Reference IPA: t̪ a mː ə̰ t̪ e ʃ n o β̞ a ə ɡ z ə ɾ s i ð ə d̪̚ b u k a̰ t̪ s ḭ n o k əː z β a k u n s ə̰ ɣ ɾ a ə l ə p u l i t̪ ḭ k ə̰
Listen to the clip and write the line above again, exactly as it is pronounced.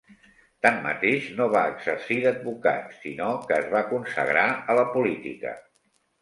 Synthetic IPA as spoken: t̪ a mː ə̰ t̪ e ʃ n o β̞ a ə ɡ z ə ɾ s i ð ə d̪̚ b u k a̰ t̪ s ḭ n o k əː z β a k u n s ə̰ ɣ ɾ a ə l ə p u l i t̪ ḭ k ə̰